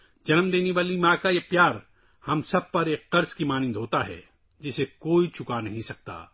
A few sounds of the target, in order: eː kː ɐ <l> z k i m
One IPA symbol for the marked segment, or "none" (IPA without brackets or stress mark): ɾ